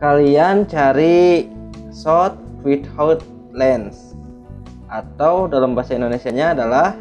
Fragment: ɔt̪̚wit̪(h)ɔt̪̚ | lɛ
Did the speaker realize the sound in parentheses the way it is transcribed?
yes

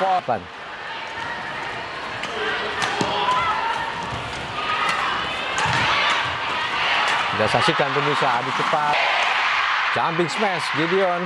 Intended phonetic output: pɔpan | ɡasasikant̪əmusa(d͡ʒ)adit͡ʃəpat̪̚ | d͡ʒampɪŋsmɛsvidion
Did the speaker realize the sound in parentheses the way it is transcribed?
no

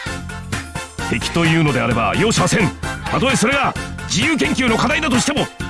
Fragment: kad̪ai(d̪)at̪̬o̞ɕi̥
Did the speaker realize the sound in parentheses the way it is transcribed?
yes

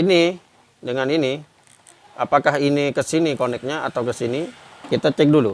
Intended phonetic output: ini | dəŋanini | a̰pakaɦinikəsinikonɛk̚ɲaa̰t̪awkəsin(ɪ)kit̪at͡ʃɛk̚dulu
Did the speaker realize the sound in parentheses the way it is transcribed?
no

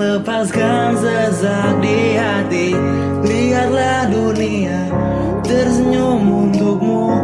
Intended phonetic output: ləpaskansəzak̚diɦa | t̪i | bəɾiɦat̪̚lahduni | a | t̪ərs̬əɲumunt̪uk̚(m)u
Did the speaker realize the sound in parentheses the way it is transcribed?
yes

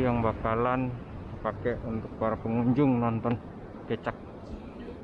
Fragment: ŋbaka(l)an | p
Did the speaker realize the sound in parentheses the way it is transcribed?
yes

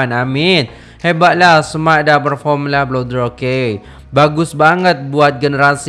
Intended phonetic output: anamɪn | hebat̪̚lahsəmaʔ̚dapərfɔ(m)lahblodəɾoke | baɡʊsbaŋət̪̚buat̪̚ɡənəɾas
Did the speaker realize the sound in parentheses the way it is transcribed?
yes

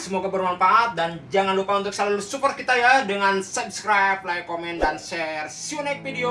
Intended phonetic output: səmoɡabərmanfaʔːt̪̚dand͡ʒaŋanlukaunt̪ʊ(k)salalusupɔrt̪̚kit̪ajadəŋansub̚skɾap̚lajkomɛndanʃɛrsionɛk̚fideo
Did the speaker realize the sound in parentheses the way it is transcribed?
yes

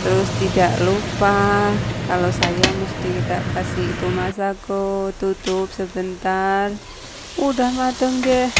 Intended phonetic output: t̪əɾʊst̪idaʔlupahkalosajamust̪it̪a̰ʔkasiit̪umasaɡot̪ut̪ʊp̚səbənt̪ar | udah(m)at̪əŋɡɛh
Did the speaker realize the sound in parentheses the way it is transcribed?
yes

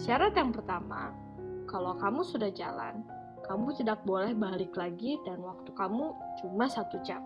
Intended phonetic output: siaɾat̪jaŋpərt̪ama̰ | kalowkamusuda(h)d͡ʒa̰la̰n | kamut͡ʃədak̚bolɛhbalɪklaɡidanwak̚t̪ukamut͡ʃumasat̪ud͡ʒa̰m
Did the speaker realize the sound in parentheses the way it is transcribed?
yes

